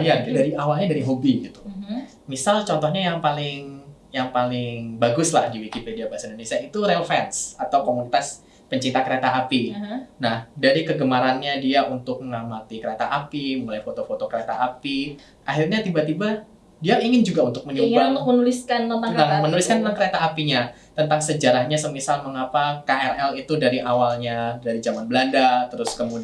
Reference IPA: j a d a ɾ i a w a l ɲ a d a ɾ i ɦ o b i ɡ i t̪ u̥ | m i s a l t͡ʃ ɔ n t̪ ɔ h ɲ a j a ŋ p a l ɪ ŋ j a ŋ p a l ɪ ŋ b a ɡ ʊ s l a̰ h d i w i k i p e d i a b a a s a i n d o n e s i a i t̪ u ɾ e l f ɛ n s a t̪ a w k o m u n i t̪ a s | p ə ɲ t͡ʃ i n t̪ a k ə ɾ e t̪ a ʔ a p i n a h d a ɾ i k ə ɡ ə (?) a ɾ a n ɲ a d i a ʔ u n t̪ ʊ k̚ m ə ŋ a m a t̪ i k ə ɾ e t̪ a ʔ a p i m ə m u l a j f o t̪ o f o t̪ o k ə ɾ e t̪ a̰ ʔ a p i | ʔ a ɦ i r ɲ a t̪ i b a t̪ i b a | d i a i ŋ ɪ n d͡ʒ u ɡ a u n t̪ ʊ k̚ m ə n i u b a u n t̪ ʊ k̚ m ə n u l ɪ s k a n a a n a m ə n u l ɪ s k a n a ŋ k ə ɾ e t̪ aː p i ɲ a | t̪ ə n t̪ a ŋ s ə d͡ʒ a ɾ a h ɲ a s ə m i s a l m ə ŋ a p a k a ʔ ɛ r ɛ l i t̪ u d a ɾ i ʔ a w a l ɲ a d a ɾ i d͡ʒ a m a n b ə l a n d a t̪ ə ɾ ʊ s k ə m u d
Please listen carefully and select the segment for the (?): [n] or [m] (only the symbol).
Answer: m